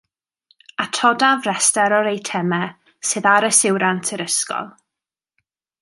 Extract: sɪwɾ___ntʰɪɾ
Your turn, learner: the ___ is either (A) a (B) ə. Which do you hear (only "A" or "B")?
A